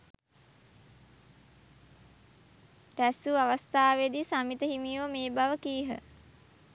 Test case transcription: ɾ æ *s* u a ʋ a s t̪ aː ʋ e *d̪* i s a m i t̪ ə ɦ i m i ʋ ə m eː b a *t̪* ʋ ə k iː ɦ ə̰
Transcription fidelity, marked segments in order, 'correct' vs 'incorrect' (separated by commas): correct, correct, incorrect